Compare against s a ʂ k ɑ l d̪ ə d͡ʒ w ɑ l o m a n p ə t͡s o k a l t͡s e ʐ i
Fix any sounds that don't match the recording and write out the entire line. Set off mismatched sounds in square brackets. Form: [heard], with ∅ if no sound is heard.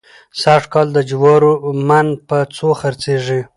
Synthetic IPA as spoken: s a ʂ k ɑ l d̪ ə d͡ʒ w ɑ [ɾ] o m a n p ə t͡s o [x] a [ɾ] t͡s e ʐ i